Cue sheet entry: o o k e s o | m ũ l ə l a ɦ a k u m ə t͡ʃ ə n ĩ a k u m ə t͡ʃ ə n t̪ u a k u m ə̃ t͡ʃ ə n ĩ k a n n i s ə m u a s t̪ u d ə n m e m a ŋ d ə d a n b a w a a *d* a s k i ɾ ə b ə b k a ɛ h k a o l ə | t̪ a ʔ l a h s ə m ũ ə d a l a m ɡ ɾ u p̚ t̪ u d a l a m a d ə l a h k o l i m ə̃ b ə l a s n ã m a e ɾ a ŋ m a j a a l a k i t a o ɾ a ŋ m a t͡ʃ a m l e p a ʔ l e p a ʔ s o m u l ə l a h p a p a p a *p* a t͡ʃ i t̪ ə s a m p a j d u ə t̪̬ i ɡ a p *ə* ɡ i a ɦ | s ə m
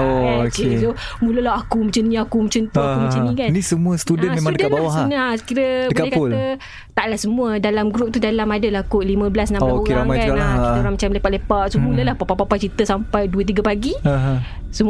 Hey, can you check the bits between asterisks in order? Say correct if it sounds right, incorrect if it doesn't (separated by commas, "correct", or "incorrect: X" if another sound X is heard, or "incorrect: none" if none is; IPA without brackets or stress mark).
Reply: incorrect: n, correct, incorrect: a